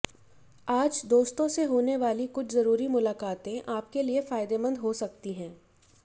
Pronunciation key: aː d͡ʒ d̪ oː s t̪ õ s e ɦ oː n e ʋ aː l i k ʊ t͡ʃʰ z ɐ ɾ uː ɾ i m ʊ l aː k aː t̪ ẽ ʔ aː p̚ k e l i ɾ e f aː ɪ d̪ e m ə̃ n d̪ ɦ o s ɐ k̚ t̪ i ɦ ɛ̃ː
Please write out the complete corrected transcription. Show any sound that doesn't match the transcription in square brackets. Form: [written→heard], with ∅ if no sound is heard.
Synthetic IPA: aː d͡ʒ d̪ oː s t̪ õ s e ɦ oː n e ʋ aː l i k ʊ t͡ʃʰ z ɐ ɾ uː ɾ i m ʊ l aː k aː t̪ ẽ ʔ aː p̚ k e l i [ɾ→∅] e f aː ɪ d̪ e m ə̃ n d̪ ɦ o s ɐ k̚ t̪ i ɦ ɛ̃ː